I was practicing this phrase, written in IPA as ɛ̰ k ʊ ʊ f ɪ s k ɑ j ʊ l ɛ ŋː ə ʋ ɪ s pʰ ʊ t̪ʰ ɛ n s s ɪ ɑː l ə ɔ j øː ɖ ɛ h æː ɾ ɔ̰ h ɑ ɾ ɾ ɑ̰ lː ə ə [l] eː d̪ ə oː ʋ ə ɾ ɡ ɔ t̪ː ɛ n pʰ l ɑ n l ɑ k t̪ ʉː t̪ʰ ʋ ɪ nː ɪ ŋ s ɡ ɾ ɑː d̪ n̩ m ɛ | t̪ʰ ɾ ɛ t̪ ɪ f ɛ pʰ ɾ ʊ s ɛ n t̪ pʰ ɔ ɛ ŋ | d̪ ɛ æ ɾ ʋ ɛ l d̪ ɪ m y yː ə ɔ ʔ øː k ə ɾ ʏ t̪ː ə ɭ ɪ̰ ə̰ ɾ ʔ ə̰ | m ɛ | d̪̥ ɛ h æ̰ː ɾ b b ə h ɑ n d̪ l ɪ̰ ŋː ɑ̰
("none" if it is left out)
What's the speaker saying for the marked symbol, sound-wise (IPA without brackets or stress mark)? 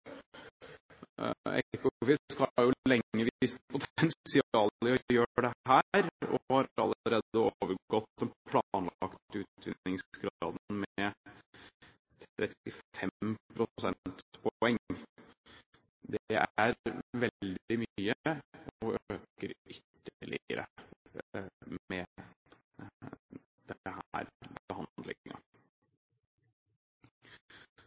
ɾ